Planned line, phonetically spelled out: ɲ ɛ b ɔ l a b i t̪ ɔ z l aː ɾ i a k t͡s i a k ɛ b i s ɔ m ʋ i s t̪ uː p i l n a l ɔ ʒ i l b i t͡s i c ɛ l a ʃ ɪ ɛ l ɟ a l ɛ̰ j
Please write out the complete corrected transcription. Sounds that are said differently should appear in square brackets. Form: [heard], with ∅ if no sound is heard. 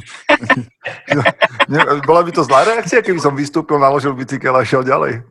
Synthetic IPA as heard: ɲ ɛ b ɔ l a b i t̪ ɔ z l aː ɾ [ɛ] a k t͡s i a k ɛ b i s ɔ m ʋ i s t̪ uː p i l n a l ɔ ʒ i l b i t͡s i [k] ɛ l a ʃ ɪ ɛ l ɟ a l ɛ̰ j